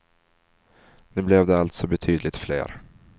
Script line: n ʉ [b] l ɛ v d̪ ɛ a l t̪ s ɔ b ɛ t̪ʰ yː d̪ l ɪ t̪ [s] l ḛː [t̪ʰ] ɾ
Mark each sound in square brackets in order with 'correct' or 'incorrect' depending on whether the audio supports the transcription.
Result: correct, incorrect, incorrect

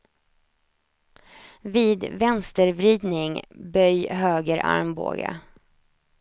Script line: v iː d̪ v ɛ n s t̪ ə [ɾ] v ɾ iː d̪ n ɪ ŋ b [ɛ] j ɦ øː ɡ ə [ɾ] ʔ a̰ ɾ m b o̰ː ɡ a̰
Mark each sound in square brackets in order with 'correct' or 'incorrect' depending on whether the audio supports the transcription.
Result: correct, incorrect, correct

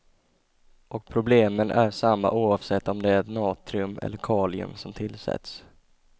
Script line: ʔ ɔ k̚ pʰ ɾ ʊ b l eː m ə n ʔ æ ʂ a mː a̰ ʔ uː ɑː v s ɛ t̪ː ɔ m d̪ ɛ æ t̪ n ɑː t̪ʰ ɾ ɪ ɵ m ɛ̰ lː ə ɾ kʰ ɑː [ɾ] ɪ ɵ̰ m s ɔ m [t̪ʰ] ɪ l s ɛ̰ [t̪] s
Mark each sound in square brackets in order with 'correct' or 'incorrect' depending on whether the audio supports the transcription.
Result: incorrect, correct, correct

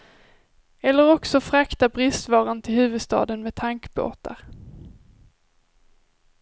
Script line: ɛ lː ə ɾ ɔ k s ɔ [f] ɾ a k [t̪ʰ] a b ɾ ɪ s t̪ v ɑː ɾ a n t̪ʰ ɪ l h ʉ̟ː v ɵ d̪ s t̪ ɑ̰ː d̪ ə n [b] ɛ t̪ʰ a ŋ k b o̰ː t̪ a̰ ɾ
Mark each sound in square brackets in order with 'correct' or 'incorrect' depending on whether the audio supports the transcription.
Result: correct, incorrect, incorrect

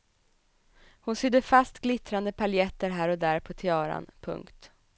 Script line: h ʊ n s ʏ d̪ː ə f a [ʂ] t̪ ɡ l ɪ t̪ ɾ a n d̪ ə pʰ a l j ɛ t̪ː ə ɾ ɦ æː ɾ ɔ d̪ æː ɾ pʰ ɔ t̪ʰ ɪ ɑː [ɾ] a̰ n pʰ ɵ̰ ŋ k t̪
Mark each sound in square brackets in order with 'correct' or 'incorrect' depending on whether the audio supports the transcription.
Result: incorrect, correct

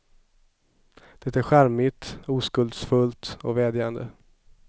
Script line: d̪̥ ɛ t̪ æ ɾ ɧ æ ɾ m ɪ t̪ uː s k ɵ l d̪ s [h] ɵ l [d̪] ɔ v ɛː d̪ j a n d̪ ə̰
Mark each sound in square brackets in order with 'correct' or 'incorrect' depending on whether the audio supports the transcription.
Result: incorrect, incorrect

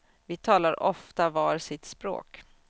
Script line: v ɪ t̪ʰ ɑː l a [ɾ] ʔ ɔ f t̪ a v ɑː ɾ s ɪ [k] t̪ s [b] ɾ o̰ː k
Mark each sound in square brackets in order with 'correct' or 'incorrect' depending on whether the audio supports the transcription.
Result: correct, incorrect, incorrect

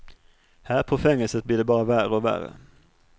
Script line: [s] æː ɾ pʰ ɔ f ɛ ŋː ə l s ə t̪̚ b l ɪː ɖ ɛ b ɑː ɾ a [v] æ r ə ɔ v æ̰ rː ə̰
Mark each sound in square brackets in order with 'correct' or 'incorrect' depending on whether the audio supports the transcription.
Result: incorrect, correct

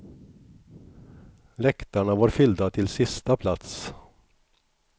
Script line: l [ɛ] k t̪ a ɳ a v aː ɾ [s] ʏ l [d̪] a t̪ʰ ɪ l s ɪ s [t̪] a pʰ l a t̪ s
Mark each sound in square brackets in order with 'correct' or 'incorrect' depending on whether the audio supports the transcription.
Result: correct, incorrect, correct, correct

